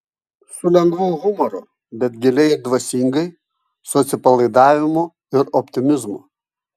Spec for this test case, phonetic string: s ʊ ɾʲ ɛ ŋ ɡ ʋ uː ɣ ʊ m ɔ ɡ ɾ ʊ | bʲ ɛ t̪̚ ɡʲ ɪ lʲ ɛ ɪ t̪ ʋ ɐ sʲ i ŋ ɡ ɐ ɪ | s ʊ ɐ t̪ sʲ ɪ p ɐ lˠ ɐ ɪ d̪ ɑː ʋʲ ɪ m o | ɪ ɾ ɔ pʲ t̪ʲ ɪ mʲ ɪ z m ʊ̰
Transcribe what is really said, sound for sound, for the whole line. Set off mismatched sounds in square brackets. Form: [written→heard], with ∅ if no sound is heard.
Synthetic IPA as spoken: s ʊ [ɾʲ→lʲ] ɛ ŋ ɡ ʋ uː ɣ ʊ m ɔ [ɡ→∅] ɾ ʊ | bʲ ɛ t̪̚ ɡʲ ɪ lʲ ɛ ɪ [t̪→d̪] ʋ ɐ sʲ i ŋ ɡ ɐ ɪ | s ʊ ɐ t̪ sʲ ɪ p ɐ lˠ ɐ ɪ d̪ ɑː ʋʲ ɪ m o | ɪ ɾ ɔ pʲ t̪ʲ ɪ mʲ ɪ z m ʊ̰